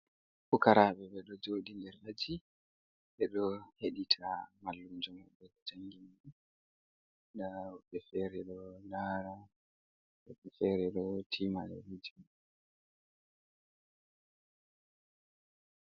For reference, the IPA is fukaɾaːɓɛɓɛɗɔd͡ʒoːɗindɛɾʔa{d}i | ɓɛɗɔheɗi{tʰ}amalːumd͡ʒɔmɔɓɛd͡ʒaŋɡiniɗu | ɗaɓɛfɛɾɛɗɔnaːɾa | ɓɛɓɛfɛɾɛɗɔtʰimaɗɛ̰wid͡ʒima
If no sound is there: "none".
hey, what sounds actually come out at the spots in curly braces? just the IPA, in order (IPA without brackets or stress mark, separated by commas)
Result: d͡ʒ, tʰ